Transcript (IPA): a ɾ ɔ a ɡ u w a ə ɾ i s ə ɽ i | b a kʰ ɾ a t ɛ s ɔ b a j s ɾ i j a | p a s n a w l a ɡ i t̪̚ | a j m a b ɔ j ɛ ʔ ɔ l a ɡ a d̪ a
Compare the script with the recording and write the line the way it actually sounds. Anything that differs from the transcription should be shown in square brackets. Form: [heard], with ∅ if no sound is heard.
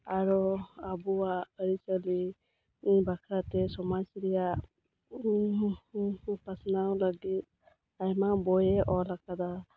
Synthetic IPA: a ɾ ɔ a [b] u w a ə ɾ i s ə [l] i | b a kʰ ɾ a t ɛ s ɔ [m] a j s ɾ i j a | p a s n a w l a ɡ i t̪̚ | a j m a b ɔ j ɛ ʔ ɔ l a [k] a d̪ a